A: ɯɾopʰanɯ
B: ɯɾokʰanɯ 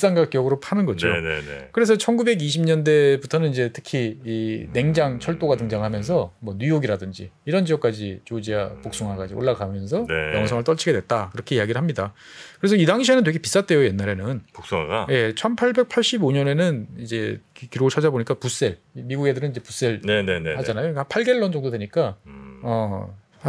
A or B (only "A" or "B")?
A